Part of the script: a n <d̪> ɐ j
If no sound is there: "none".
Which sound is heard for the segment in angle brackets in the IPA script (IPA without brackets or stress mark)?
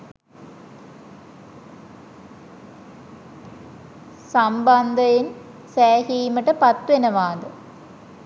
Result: d̪